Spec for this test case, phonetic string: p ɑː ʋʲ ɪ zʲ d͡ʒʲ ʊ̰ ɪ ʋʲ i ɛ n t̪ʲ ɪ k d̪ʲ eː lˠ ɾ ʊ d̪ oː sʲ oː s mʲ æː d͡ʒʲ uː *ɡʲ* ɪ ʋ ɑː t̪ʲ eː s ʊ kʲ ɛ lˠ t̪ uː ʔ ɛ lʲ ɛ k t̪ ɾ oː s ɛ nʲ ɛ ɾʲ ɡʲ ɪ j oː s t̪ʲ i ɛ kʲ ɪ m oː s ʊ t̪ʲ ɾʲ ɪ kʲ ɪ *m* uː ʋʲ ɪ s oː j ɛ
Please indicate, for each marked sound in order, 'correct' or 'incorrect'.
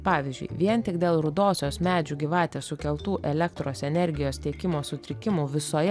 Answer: correct, correct

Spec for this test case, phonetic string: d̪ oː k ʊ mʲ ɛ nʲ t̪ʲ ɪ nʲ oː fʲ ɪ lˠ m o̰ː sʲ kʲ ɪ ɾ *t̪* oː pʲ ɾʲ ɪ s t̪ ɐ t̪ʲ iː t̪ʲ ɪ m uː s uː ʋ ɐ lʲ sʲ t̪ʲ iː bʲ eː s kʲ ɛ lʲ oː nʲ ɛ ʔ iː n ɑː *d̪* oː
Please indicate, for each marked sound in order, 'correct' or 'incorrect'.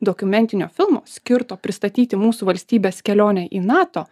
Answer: correct, incorrect: t̪

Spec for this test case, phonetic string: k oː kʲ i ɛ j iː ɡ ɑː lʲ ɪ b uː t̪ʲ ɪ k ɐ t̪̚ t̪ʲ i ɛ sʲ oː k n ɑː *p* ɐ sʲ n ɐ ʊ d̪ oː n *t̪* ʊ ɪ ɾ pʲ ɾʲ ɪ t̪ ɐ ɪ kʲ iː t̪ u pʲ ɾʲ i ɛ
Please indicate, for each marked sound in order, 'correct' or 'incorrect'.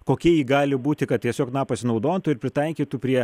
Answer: correct, correct

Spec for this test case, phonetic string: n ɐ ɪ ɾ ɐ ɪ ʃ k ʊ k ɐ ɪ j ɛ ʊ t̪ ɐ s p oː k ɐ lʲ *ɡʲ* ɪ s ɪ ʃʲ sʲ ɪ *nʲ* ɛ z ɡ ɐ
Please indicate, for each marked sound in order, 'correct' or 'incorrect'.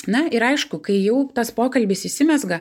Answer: incorrect: bʲ, incorrect: mʲ

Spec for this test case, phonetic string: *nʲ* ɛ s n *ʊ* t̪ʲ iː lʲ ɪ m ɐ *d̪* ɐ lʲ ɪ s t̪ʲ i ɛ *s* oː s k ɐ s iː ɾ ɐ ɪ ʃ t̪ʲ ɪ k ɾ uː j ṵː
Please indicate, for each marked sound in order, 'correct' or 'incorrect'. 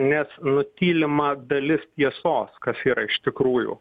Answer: correct, correct, correct, correct

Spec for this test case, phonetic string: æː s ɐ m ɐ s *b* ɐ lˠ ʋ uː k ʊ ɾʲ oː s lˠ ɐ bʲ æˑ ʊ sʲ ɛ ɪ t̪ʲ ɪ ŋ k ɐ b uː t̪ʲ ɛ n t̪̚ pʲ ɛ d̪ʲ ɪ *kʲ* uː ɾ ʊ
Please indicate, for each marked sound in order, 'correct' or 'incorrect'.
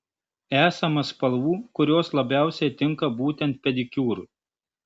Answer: incorrect: p, correct

